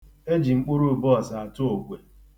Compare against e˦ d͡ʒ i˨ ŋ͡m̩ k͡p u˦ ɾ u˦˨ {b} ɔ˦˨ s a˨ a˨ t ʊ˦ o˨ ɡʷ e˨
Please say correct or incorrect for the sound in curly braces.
correct